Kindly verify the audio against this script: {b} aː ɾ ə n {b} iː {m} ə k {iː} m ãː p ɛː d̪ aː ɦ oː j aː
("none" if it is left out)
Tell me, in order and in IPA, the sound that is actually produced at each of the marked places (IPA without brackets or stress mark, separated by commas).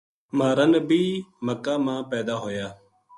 m, b, m, aː